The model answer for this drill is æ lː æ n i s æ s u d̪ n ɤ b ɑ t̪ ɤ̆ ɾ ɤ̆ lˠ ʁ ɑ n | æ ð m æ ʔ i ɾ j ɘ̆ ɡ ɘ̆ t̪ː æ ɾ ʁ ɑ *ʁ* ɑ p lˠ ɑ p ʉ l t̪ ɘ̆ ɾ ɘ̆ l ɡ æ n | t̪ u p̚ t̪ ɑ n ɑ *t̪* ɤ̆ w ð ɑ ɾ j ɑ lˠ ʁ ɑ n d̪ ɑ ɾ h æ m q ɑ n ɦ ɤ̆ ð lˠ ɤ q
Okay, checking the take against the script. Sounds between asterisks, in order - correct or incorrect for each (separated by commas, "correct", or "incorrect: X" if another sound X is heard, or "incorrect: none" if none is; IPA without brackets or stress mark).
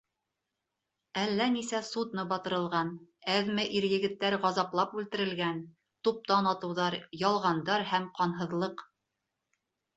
incorrect: z, correct